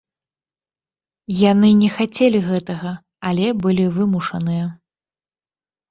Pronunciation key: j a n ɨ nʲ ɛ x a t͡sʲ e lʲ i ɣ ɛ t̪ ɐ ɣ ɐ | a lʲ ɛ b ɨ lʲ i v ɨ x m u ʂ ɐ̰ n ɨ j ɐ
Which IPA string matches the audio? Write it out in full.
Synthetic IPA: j a n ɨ nʲ ɛ x a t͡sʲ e lʲ i ɣ ɛ t̪ ɐ ɣ ɐ | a lʲ ɛ b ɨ lʲ i v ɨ m u ʂ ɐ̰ n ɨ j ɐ